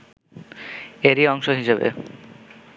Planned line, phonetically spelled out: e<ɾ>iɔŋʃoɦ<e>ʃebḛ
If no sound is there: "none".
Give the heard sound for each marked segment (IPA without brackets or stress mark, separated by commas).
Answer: ɾ, i